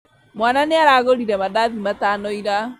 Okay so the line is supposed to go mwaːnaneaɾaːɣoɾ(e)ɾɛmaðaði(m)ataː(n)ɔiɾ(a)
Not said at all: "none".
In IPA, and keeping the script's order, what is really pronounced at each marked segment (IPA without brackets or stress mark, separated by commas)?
i, m, n, a